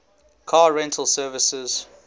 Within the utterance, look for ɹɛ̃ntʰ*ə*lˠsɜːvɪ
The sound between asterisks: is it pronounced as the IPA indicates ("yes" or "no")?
yes